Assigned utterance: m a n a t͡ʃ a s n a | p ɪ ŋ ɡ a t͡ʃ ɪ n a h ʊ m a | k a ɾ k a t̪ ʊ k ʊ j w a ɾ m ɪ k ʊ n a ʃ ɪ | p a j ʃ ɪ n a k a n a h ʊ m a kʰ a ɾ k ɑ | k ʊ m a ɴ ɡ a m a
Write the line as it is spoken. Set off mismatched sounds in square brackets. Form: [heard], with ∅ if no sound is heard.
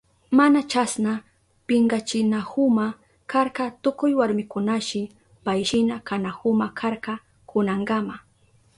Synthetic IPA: m a n a t͡ʃ a s n a | p ɪ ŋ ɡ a t͡ʃ ɪ n a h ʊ m a | k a ɾ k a t̪ ʊ k ʊ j w a ɾ m ɪ k ʊ n a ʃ ɪ | p a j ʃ ɪ n a k a n a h ʊ m a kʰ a ɾ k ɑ | k ʊ [n] a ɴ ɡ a m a